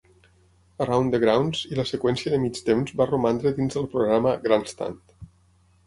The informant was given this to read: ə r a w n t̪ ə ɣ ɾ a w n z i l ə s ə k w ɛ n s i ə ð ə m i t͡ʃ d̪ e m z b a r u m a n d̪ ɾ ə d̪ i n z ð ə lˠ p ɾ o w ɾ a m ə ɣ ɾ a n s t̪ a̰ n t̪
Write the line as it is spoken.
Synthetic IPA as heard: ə r a w n d̪ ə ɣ ɾ a w n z i l ə s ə k w ɛ n s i ə ð ə m i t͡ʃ t̪ e m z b a r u m a n d̪ ɾ ə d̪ i n z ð ə lˠ p ɾ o ɣ ɾ a m ə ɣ ɾ a n s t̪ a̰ n t̪